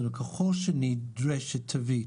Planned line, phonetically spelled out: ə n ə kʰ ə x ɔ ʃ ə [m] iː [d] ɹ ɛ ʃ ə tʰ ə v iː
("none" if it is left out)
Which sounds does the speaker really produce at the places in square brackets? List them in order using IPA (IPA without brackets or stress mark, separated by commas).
n, d